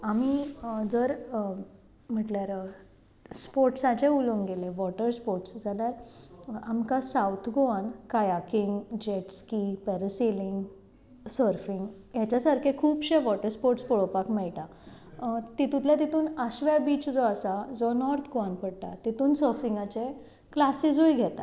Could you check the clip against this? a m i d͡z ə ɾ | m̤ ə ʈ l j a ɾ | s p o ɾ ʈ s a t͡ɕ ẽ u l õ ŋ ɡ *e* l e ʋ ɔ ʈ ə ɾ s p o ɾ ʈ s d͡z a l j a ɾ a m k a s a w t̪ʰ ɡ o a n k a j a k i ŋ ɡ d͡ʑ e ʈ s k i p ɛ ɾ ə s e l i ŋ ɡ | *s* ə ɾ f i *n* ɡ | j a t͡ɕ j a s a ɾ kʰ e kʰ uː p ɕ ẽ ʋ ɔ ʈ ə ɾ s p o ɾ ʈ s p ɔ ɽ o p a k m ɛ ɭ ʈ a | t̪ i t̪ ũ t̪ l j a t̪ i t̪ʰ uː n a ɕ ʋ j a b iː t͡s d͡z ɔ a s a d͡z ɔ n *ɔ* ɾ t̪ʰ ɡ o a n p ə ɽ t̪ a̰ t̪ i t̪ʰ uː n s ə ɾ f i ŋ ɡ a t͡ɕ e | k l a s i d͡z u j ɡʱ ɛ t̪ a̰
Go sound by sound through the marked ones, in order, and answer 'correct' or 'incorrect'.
correct, correct, incorrect: ŋ, correct

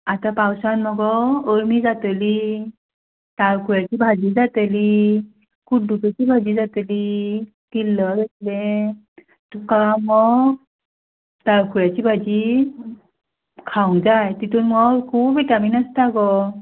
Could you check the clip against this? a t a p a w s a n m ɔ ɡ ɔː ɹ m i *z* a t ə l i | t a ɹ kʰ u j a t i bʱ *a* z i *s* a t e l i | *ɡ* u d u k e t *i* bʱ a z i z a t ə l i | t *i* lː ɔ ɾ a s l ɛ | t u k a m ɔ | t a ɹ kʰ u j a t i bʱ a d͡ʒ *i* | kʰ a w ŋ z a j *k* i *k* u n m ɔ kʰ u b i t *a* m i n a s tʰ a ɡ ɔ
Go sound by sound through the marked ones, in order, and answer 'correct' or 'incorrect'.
correct, correct, incorrect: z, incorrect: k, correct, correct, correct, incorrect: t, incorrect: t, correct

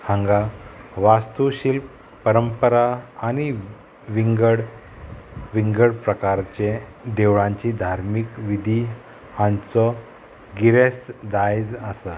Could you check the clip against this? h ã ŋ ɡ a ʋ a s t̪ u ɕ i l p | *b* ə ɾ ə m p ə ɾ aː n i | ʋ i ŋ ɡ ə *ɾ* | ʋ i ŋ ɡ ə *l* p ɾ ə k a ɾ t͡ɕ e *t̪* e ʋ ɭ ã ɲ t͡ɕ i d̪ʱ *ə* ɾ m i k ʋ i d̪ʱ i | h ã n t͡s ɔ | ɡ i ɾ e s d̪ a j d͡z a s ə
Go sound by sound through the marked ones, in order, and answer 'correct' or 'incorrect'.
incorrect: p, incorrect: ɽ, incorrect: ɽ, incorrect: d̪, incorrect: a

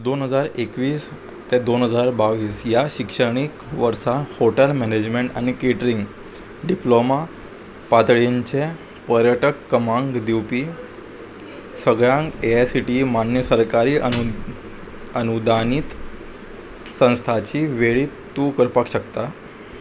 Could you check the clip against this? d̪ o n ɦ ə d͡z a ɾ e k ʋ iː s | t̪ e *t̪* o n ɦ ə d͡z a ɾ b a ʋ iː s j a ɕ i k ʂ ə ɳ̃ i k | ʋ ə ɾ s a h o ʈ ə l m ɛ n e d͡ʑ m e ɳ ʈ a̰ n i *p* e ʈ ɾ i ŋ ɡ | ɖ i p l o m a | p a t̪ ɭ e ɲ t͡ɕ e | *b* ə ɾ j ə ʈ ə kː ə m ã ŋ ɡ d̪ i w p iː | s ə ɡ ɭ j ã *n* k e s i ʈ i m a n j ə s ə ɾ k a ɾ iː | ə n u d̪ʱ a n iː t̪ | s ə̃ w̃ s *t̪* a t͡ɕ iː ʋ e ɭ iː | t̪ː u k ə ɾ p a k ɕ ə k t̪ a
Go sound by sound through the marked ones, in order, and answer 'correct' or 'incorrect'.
incorrect: d̪, incorrect: k, incorrect: p, incorrect: ŋ, incorrect: t̪ʰ

